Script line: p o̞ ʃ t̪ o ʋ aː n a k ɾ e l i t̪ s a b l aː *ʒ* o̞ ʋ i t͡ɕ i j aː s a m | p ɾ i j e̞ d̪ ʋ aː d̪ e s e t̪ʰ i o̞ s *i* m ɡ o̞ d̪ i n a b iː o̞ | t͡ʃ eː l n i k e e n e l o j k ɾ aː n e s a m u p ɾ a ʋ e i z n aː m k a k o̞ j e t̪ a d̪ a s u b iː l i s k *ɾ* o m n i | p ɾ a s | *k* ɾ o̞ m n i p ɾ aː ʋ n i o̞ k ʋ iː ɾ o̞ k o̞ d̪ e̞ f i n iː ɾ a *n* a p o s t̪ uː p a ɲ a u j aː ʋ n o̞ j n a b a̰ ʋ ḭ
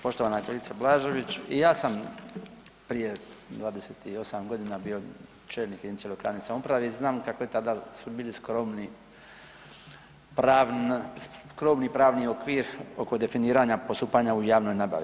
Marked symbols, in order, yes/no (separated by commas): yes, no, yes, yes, no